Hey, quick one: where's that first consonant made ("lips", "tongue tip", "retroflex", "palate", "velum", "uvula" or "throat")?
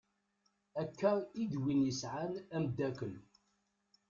velum